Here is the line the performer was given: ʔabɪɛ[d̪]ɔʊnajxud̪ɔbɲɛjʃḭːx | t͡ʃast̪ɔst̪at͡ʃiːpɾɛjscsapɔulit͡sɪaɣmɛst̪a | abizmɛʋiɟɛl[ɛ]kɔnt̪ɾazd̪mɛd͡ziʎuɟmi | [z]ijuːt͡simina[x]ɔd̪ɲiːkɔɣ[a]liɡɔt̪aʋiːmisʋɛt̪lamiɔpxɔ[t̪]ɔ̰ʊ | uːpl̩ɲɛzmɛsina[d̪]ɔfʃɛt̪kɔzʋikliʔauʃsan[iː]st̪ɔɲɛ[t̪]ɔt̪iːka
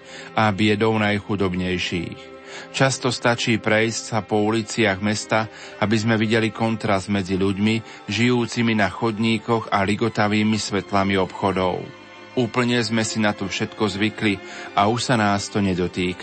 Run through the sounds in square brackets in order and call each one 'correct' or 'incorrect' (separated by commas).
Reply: correct, incorrect, incorrect, correct, correct, incorrect, incorrect, incorrect, incorrect